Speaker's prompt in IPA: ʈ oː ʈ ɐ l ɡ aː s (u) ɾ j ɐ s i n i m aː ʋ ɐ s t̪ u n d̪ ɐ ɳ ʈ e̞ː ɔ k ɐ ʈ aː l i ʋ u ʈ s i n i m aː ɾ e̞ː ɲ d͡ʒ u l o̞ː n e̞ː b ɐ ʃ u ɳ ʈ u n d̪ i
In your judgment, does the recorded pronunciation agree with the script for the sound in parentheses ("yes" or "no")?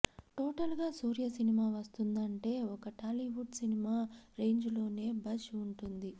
no